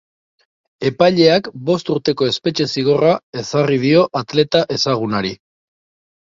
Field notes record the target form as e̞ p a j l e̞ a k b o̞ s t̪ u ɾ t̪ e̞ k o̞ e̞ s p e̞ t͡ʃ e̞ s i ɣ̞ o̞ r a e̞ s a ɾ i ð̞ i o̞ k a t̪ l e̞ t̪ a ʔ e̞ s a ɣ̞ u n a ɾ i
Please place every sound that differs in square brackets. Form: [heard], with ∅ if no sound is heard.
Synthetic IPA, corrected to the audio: e̞ p a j [ʎ] e̞ a k b o̞ s t̪ u ɾ t̪ e̞ k o̞ e̞ s p e̞ t͡ʃ e̞ s i ɣ̞ o̞ r a e̞ s a [r] i ð̞ i o̞ [ʔ] a t̪ l e̞ t̪ a ʔ e̞ s a ɣ̞ u n a ɾ i